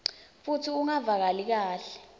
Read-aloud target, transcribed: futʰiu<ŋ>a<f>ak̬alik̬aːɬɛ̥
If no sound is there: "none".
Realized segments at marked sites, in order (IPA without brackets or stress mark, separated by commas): ŋ, v